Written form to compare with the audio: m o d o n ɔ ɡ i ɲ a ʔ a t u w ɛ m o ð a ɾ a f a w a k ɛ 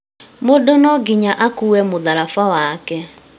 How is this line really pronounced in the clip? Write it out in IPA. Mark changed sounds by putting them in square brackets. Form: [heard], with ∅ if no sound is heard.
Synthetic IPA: m o d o n ɔ ɡ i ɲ a ʔ a [k] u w ɛ m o ð a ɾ a f a w a k ɛ

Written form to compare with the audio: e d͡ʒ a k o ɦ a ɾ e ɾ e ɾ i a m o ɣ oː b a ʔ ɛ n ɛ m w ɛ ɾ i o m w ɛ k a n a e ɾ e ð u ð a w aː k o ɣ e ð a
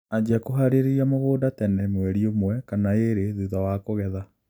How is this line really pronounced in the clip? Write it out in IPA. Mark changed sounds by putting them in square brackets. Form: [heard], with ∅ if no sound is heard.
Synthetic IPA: [a] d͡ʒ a k o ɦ a ɾ e ɾ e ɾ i a m o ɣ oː [d] a [t] ɛ n ɛ m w ɛ ɾ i o m w ɛ k a n a e ɾ e ð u ð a w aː k o ɣ [ɛ] ð a

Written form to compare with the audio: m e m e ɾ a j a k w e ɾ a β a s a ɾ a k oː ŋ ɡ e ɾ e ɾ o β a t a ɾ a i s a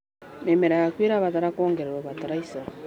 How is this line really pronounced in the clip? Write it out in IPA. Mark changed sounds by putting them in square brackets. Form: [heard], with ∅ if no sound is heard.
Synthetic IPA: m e m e ɾ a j a k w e ɾ a β a [t] a ɾ a k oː ŋ ɡ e ɾ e ɾ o β a t a ɾ a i s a

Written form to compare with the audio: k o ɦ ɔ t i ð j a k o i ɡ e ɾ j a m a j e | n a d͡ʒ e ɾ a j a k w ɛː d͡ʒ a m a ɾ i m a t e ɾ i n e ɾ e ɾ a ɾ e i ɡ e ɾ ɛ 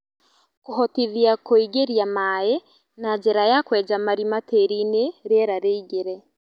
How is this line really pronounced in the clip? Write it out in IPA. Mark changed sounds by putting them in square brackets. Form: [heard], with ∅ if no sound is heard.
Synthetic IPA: k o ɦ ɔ t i ð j a k o i ɡ e ɾ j a m a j e | n a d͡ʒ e ɾ a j a k w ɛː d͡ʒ a m a ɾ i m a t e ɾ i n e ɾ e ɾ a ɾ e i ɡ e ɾ ɛ

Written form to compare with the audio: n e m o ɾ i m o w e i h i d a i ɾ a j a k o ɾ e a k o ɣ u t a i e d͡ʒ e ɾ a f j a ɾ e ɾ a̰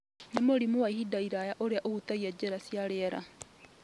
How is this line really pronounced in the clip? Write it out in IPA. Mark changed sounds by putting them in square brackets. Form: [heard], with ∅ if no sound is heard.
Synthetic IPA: n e m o ɾ i m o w [a] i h i d a i ɾ a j a [ʔ] o ɾ e a [ʔ] o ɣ u t a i [a] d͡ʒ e ɾ a [s] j a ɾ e ɾ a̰

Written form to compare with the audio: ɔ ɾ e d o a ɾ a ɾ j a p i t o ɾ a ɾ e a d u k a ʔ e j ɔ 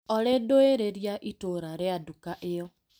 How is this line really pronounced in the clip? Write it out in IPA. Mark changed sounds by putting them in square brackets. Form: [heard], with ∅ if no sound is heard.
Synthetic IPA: ɔ ɾ e d o [e] ɾ [e] ɾ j a [ʔ] i t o ɾ a ɾ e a d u k a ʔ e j ɔ

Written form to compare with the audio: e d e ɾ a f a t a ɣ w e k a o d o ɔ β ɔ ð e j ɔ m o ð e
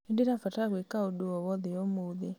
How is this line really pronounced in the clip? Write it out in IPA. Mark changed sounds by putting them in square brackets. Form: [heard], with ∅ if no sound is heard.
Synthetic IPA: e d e ɾ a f a t a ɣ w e k a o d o ɔ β ɔ ð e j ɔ m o ð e

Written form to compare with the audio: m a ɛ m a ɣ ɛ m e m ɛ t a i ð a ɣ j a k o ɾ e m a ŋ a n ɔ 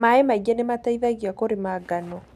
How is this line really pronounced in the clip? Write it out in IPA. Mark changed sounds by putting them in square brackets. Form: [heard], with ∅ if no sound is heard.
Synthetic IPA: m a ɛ m a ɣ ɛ [n] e m [a] t a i ð a ɣ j a k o ɾ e m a [ɡ] a n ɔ

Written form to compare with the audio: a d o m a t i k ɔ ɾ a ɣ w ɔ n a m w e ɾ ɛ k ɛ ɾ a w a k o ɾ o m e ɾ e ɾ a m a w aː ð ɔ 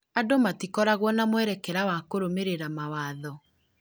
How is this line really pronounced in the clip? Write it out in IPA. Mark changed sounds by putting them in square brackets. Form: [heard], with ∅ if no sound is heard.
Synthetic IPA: a d o m a t i k ɔ ɾ a ɣ w ɔ n a m w [ɛ] ɾ ɛ k ɛ ɾ a w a k o ɾ o m e ɾ e ɾ a m a w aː ð ɔ

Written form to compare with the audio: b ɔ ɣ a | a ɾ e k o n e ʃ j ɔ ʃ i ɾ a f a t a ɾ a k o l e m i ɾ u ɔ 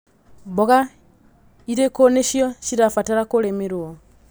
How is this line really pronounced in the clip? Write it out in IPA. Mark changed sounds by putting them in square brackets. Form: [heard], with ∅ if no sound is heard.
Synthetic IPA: b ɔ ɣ a | [i] ɾ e k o n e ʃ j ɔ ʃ i ɾ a f a t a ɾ a k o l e m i ɾ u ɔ

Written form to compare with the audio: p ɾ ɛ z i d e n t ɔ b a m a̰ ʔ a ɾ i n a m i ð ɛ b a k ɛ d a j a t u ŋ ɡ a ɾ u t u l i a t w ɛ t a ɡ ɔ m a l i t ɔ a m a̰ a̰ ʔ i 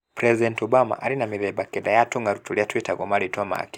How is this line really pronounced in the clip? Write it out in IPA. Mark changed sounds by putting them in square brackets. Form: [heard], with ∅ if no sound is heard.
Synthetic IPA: p ɾ ɛ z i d [ɛ] n t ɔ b a m a̰ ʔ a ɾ i n a m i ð ɛ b a k ɛ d a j a t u ŋ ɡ a ɾ u t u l i a t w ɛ t a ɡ ɔ m a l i t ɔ a m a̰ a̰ [k] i

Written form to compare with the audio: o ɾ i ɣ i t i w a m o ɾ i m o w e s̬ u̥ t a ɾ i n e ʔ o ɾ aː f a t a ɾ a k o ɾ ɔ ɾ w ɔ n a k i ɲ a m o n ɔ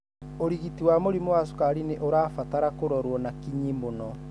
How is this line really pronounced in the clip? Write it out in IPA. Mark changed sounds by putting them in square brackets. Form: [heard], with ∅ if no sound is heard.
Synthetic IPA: o ɾ i ɣ i t i w a m o ɾ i m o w [a] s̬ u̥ [k] a ɾ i n e ʔ o ɾ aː f a t a ɾ a k o ɾ ɔ ɾ w ɔ n a k i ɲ [i] m o n ɔ

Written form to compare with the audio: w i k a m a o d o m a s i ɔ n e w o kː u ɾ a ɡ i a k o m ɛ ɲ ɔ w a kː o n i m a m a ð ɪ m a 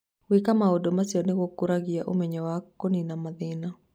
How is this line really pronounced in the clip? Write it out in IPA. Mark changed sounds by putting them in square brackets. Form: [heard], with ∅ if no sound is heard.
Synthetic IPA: w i k a m a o d o m a s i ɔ n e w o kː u ɾ a ɡ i a [ʔ] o m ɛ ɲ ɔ w a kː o n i [n] a m a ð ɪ [n] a

